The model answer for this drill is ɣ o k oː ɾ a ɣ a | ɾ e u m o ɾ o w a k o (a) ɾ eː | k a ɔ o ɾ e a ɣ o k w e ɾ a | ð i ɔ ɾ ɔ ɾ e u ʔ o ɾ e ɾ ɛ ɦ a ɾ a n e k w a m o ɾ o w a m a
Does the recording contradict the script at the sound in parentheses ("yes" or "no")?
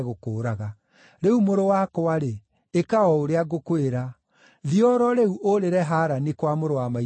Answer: no